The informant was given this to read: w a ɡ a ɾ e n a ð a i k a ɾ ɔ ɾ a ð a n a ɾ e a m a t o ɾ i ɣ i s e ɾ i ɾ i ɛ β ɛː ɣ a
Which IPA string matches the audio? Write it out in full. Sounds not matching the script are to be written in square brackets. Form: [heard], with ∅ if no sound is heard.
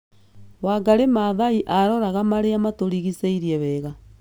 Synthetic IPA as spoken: w a ɡ a ɾ e [m] a ð a i [ʔ] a ɾ ɔ ɾ a [ɣ] a [m] a ɾ e a m a t o ɾ i ɣ i s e [∅] i ɾ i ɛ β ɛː ɣ a